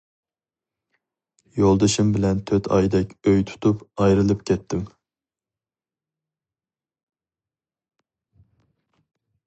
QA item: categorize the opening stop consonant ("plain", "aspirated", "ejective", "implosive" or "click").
plain